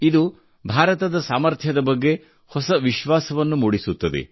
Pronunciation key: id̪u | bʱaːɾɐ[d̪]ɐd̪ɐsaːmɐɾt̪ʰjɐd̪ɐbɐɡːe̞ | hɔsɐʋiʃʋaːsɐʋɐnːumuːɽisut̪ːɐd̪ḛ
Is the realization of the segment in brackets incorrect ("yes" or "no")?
yes